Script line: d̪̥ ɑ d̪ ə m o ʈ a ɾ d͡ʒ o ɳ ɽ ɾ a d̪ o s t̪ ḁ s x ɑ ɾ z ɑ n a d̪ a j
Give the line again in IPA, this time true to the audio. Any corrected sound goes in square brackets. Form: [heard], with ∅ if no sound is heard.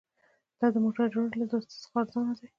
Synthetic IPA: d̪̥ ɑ d̪ ə m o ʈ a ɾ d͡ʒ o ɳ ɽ [l] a d̪ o s t̪ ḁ s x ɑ ɾ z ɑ n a d̪ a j

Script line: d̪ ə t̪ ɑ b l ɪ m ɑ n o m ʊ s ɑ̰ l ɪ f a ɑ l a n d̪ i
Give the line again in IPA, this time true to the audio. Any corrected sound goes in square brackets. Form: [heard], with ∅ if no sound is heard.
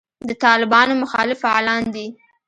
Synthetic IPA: d̪ ə t̪ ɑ [∅] l ɪ [b] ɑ n o m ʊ [x] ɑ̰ l ɪ f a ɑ l [ɑ] n d̪ i

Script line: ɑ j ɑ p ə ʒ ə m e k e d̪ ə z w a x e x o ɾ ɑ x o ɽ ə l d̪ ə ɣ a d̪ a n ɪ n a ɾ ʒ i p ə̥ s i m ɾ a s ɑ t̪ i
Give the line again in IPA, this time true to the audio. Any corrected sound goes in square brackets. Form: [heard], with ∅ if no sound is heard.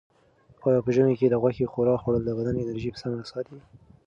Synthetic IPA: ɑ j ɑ p ə ʒ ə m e k e d̪ ə [ɣ] w a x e x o ɾ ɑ x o ɽ ə l d̪ ə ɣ a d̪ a n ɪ n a ɾ ʒ i p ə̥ s [a] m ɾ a s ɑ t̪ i

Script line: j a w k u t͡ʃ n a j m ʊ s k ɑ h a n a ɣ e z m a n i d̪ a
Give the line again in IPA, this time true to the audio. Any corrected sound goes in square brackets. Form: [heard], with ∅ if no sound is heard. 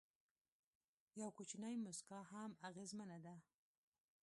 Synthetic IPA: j a w k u t͡ʃ n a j m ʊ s k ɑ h a [m] a ɣ e z m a n [a] d̪ a

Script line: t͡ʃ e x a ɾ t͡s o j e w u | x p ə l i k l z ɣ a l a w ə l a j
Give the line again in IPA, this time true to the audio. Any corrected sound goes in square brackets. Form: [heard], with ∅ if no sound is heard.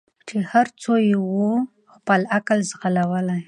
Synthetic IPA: t͡ʃ e [h] a ɾ t͡s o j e w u | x p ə l [a] k l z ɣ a l a w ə l a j

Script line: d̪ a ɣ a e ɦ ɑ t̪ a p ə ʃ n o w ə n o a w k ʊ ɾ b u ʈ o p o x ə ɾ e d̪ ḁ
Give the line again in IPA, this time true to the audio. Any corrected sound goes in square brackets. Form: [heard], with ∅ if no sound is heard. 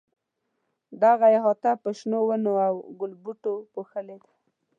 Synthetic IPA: d̪ a ɣ a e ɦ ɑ t̪ a p ə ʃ n o w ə n o a w [ɡ] ʊ [l] b u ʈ o p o x ə [l] e d̪ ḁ

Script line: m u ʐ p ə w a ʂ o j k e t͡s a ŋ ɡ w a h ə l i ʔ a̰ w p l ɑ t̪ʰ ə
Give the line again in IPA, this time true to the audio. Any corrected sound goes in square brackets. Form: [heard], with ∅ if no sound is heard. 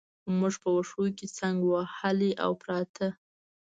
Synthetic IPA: m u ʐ p ə w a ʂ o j k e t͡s a ŋ ɡ w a h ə l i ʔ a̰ w p [ɾ] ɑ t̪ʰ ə

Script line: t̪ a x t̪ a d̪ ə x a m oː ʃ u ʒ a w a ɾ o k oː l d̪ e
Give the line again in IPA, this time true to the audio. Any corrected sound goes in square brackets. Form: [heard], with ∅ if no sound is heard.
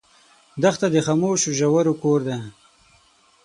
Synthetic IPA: [d̪] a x t̪ a d̪ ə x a m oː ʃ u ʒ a w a ɾ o k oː [ɾ] d̪ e

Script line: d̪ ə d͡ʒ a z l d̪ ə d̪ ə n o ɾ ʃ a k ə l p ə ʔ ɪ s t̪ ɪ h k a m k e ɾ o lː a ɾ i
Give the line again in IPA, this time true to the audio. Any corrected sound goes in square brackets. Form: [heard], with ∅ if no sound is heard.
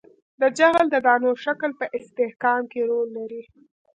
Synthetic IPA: d̪ ə d͡ʒ a [ɣ] l d̪ ə d̪ [ɑ] n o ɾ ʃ a k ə l p ə ʔ ɪ s t̪ ɪ h k [ɑ] m k e ɾ o lː a ɾ i

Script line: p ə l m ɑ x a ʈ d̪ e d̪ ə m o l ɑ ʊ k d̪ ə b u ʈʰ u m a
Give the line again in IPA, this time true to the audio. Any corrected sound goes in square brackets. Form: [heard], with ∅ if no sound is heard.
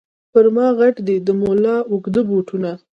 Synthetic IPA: p ə [ɾ] m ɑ [ɣ] a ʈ d̪ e d̪ ə m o l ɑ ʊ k d̪ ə b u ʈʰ u [n] a

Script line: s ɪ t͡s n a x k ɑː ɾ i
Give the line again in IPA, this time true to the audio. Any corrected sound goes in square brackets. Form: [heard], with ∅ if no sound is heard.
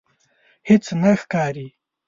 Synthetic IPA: [h] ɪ t͡s n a x k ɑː ɾ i

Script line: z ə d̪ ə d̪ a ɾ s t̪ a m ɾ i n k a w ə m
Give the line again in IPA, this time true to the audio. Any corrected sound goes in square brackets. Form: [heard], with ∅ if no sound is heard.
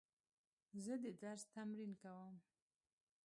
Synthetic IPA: z ə d̪ ə d̪ a ɾ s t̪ a m ɾ i n k a w ə m

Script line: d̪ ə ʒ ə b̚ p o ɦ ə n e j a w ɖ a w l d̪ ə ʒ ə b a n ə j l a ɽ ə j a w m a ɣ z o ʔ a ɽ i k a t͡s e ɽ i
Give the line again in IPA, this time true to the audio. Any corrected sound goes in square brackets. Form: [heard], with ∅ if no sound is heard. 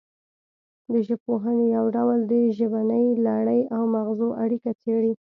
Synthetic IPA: d̪ ə ʒ ə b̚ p o ɦ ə n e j a w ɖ a w l d̪ ə ʒ ə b a n ə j l a ɽ ə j a w m a ɣ z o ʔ a ɽ i k a t͡s e ɽ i

